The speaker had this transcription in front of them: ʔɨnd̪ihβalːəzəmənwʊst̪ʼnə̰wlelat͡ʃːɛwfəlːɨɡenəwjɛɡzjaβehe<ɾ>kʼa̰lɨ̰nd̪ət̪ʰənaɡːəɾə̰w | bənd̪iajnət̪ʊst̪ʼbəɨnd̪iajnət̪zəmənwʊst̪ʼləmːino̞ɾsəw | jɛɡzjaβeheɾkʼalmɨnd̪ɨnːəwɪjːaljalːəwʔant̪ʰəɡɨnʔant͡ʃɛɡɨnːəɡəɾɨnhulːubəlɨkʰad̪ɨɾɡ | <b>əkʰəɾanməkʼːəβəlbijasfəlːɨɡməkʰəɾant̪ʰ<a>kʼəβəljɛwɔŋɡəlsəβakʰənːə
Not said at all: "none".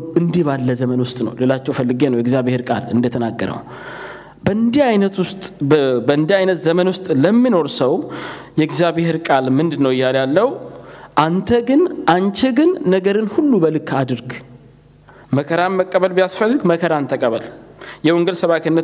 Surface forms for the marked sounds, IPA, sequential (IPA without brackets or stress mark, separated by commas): ɾ, m, ə